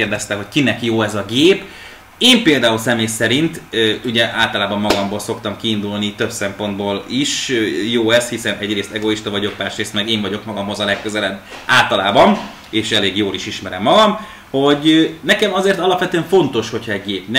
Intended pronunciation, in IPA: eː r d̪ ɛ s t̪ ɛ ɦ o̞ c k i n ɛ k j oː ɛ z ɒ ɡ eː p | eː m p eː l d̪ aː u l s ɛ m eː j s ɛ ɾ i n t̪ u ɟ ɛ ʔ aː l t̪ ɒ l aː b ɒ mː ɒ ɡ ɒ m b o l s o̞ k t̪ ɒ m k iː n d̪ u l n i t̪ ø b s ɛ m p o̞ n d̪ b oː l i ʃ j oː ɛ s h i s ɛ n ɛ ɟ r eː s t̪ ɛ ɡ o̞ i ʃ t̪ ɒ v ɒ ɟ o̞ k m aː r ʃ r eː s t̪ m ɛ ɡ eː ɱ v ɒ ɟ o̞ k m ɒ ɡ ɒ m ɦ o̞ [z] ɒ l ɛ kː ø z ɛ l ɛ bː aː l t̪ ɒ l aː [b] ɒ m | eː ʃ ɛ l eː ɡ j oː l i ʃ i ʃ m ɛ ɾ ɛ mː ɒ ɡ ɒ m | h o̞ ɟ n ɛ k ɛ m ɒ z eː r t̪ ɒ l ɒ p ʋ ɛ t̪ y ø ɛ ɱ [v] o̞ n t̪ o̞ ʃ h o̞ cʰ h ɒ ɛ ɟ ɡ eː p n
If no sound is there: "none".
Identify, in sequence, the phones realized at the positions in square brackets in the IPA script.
z, b, f

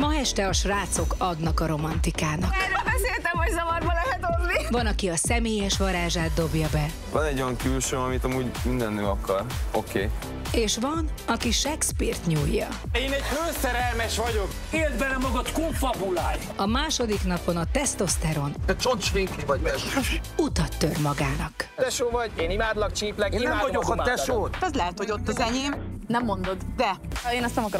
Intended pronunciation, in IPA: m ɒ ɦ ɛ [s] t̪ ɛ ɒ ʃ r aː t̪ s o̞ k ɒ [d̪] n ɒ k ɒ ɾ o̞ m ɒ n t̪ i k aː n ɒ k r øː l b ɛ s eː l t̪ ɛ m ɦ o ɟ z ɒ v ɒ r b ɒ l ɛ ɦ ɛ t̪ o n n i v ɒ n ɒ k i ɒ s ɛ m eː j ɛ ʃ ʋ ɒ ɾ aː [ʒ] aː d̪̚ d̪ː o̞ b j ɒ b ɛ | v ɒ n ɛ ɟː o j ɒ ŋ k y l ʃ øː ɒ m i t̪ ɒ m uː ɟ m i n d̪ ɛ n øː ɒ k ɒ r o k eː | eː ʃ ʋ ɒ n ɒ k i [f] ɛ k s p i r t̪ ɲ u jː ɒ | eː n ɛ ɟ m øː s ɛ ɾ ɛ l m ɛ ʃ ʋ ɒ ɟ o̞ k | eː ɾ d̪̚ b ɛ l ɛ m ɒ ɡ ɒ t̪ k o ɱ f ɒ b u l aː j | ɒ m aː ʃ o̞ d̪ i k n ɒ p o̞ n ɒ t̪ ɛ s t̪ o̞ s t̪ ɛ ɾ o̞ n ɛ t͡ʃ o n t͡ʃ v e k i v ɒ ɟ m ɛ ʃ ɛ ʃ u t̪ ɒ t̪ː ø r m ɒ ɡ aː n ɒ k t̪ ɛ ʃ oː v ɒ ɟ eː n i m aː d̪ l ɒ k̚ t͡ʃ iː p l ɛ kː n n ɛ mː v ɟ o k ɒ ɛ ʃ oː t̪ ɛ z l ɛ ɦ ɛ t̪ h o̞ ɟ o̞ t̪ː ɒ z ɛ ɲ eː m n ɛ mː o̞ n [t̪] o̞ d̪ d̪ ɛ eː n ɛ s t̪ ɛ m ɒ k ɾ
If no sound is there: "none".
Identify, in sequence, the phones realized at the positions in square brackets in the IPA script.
ʃ, d̪, ʒ, ʃ, d̪

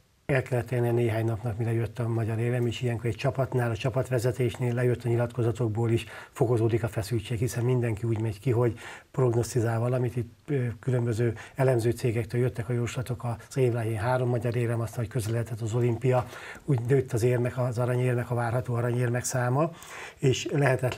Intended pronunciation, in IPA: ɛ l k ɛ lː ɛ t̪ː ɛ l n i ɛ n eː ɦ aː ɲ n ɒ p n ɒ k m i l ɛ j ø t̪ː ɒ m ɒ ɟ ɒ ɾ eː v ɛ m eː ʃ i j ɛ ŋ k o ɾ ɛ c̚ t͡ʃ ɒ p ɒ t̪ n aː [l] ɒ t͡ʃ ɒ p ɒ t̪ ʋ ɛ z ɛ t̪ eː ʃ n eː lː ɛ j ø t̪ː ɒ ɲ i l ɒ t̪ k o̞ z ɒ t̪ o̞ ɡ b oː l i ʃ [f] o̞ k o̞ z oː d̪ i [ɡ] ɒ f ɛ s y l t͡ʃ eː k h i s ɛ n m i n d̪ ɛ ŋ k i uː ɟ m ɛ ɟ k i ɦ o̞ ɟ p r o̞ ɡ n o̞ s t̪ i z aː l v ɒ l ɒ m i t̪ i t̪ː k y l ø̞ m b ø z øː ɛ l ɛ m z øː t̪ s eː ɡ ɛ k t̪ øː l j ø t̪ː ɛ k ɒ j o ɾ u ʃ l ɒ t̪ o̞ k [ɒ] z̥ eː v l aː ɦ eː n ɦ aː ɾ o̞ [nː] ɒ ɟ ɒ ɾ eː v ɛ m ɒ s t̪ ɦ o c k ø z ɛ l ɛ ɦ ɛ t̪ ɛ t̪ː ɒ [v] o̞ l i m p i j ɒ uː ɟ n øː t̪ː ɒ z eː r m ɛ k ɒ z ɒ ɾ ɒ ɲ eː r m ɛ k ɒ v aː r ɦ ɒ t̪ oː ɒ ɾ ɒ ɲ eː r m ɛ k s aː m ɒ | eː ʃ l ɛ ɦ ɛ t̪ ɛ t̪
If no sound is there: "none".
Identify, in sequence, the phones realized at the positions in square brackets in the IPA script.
l, f, k, ɒ, mː, z

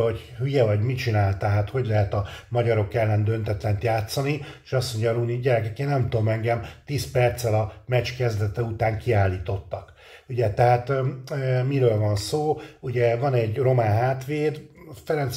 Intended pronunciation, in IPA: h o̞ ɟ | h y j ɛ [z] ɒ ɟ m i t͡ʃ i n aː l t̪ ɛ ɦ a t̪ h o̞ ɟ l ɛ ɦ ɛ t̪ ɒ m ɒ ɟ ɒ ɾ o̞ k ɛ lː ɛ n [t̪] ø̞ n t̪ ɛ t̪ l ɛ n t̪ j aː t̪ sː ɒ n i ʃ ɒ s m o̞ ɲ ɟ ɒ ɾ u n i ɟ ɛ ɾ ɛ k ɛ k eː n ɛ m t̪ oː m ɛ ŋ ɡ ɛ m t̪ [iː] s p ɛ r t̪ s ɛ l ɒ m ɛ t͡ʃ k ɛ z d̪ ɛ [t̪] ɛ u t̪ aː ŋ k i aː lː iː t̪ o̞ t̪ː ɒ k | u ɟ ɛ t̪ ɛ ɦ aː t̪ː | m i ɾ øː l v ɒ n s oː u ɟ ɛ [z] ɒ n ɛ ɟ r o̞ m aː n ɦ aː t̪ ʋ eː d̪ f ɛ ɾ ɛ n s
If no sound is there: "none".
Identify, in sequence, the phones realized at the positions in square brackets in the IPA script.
v, d̪, iː, t̪, v

